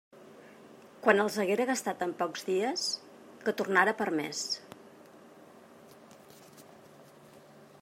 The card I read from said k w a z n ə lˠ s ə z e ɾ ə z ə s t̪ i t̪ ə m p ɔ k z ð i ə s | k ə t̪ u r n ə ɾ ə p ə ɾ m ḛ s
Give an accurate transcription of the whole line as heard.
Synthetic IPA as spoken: k w a n ə lˠ z ə ɣ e ɾ ə ɣ ə s t̪ a t̪ ə m p ɔ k z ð i ə s | k ə t̪ u r n a ɾ ə p ə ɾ m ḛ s